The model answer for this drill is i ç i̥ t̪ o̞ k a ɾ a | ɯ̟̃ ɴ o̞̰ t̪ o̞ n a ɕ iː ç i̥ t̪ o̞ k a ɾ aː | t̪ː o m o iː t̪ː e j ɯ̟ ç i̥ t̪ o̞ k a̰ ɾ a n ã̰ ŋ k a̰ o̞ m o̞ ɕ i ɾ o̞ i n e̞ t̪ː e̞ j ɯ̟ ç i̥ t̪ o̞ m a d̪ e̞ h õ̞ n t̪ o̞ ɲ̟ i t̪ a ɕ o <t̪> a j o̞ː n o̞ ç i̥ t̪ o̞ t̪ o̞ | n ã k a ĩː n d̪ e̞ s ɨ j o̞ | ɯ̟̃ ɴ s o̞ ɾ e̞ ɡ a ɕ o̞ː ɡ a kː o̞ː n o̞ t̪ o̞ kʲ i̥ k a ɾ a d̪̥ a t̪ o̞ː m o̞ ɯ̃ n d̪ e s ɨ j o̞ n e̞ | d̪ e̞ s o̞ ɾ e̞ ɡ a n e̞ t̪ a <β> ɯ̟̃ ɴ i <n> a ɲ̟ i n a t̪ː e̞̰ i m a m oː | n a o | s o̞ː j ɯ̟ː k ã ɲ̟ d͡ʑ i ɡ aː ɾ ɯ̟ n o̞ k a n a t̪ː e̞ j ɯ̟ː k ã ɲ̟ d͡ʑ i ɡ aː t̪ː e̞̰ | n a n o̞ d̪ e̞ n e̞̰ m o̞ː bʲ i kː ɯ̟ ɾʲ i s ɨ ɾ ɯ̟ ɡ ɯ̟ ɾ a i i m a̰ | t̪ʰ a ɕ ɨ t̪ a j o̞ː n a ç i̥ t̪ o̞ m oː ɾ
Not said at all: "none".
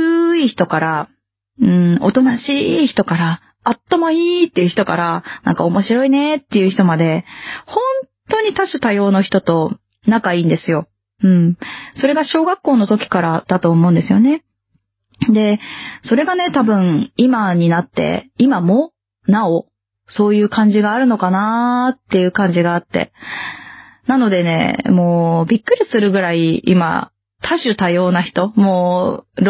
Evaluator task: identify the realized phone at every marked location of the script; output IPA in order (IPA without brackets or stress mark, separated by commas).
t̪, b, m